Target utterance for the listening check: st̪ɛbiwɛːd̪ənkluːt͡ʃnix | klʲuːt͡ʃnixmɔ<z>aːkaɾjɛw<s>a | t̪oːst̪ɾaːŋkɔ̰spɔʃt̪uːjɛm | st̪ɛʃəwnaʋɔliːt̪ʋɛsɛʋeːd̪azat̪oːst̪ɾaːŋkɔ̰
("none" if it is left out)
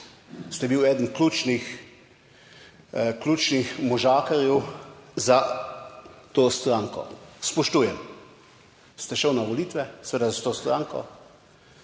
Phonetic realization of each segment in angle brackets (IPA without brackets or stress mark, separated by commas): ʒ, z